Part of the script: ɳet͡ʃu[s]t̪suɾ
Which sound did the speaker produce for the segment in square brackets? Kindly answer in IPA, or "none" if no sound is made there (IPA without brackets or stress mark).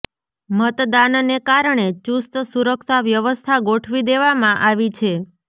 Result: s